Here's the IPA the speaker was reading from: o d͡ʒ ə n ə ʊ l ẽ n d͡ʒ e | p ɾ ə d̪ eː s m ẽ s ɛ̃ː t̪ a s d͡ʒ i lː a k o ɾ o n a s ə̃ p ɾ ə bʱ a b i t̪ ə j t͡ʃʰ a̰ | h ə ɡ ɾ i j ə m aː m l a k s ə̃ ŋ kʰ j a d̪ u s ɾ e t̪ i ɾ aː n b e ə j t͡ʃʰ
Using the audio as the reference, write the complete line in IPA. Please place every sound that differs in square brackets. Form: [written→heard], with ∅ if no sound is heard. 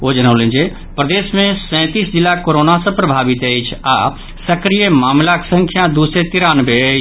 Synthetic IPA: o d͡ʒ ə n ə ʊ l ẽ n d͡ʒ e | p ɾ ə d̪ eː s m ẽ s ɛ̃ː t̪ [a→i] s d͡ʒ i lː a k o ɾ o n a s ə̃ p ɾ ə bʱ a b i t̪ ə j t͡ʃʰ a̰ | [h→s] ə [ɡ→k] ɾ i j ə m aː m l a k s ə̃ ŋ kʰ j a d̪ u s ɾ e t̪ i ɾ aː n b e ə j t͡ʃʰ

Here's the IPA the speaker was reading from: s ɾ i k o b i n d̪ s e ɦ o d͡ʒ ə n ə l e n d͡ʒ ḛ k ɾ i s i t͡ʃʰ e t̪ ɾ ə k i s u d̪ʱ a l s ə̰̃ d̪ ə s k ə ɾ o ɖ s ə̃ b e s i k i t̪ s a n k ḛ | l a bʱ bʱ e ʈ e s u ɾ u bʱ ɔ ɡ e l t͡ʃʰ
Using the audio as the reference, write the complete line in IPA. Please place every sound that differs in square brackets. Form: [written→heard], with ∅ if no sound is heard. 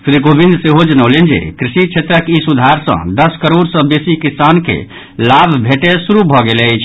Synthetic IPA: s ɾ i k o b i n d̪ s e ɦ o d͡ʒ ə n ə l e n d͡ʒ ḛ k ɾ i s i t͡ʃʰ e t̪ ɾ ə k i s u d̪ʱ a [l→ɾ] s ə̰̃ d̪ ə s k ə ɾ o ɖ s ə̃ b e s i k i [t̪→∅] s a n k ḛ | l a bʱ bʱ e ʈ e s u ɾ u bʱ ɔ ɡ e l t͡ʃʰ

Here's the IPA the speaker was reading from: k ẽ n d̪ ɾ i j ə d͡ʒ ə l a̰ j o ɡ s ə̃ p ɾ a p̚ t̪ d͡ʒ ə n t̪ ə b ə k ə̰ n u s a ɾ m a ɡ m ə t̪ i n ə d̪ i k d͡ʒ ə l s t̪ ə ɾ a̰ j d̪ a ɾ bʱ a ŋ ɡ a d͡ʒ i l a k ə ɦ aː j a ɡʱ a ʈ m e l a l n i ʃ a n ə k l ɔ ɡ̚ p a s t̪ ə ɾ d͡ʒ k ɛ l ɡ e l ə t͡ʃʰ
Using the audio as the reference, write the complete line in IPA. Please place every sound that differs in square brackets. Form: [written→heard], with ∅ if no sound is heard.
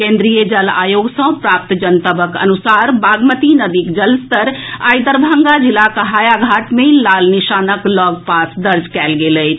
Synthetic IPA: k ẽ n d̪ ɾ i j ə d͡ʒ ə l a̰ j o ɡ s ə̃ p ɾ a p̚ t̪ d͡ʒ ə n t̪ ə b ə k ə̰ n u s a ɾ [m→b] a ɡ m ə t̪ i n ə d̪ i k d͡ʒ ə l s t̪ ə ɾ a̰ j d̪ [a→ə] ɾ bʱ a ŋ ɡ a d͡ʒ i l a k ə ɦ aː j a ɡʱ a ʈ m e l a l n i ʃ a n ə k l ɔ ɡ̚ p a s [t̪→d̪] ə ɾ d͡ʒ k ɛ l ɡ e l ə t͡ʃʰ

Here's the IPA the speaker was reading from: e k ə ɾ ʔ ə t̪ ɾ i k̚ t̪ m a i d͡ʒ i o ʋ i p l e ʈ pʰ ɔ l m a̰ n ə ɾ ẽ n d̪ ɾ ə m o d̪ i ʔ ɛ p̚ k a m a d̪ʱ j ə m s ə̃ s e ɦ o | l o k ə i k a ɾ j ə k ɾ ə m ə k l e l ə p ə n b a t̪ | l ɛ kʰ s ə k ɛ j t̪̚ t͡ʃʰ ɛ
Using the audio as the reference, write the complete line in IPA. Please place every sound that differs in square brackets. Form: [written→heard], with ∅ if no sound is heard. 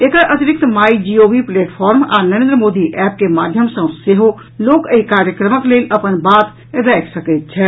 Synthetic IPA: e k ə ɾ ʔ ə t̪ ɾ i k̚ t̪ m a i d͡ʒ i o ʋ i p l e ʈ pʰ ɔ [l→ɾ] m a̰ n ə ɾ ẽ n d̪ ɾ ə m o d̪ i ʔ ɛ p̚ k [a→e] m a d̪ʱ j ə m s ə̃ s e ɦ o | l o k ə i k a ɾ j ə k ɾ ə m ə k l e l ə p ə n b a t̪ | [l→ɾ] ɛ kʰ s ə k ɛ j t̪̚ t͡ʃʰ ɛ

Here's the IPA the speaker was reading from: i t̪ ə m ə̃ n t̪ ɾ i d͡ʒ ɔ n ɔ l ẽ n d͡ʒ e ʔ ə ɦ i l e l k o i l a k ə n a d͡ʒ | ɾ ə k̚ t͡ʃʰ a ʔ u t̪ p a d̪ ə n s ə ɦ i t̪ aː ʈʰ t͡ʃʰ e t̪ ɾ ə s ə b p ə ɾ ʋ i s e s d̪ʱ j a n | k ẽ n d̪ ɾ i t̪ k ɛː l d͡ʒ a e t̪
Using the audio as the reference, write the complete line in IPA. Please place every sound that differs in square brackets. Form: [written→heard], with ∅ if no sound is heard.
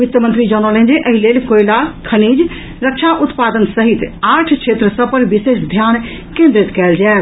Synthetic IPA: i t̪ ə m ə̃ n t̪ ɾ i d͡ʒ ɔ n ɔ l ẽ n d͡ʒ e ʔ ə ɦ i l e l k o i l a [k→kʰ] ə n [a→i] d͡ʒ | ɾ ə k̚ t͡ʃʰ a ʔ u t̪ p a d̪ ə n s ə ɦ i t̪ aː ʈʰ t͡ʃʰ e t̪ ɾ ə s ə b p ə ɾ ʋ i s e s d̪ʱ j a n | k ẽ n d̪ ɾ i t̪ k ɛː l d͡ʒ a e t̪

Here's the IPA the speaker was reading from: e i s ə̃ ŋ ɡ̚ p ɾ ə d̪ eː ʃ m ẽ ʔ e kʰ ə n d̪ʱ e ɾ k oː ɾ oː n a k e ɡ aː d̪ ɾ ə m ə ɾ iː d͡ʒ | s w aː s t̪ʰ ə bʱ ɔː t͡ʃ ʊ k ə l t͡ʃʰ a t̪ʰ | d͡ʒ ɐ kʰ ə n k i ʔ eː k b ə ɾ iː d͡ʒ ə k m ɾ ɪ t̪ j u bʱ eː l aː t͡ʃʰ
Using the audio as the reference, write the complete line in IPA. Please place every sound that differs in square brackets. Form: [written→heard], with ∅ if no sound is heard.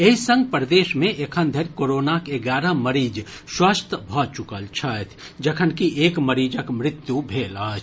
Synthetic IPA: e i s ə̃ ŋ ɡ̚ p ɾ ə d̪ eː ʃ m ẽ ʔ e kʰ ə n d̪ʱ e ɾ k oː ɾ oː n a k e ɡ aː [d̪→∅] ɾ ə m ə ɾ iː d͡ʒ | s w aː s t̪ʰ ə bʱ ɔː t͡ʃ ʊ k ə l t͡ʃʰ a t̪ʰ | d͡ʒ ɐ kʰ ə n k i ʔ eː k [b→m] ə ɾ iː d͡ʒ ə k m ɾ ɪ t̪ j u bʱ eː l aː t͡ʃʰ

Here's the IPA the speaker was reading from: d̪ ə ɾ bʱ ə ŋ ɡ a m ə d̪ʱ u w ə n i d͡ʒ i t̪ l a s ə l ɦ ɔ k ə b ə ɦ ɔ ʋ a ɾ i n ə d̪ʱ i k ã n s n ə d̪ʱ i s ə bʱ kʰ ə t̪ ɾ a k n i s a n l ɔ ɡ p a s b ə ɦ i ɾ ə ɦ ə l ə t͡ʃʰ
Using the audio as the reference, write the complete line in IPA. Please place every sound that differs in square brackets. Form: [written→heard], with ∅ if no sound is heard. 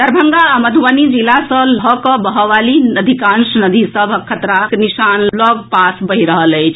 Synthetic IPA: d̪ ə ɾ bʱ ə ŋ ɡ a m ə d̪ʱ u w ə n i d͡ʒ i [t̪→∅] l a s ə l ɦ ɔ k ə b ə ɦ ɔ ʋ a [ɾ→l] i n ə d̪ʱ i k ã n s n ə d̪ʱ i s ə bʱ kʰ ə t̪ ɾ a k n i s a n l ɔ ɡ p a s b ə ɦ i ɾ ə ɦ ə l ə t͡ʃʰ

